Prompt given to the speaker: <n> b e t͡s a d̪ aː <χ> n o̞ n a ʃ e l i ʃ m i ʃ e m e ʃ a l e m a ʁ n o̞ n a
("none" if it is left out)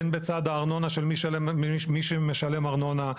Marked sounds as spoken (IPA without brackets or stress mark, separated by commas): n, ʁ